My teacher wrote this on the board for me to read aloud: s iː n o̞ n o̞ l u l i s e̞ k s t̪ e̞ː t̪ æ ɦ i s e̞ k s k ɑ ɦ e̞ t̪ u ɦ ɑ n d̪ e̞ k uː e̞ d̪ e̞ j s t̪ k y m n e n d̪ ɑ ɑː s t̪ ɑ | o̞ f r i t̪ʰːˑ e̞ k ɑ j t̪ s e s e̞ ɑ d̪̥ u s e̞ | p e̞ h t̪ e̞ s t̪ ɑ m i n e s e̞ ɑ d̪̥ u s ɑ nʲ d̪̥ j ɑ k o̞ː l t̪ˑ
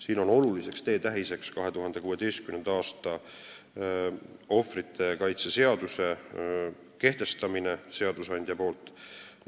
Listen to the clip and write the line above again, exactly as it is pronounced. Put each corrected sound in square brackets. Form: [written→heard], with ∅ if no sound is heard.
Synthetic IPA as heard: s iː n o̞ n o̞ l u l i s e̞ k s t̪ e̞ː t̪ æ ɦ i s e̞ k s k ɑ ɦ e̞ t̪ u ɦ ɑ n d̪ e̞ k uː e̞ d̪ e̞ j s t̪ k y m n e n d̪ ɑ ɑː s t̪ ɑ | o̞ f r i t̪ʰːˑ e̞ k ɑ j t̪ s e s e̞ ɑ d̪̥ u s e̞ | [p→k] e̞ h t̪ e̞ s t̪ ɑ m i n e s e̞ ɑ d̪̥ u s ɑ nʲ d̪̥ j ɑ [k→p] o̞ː l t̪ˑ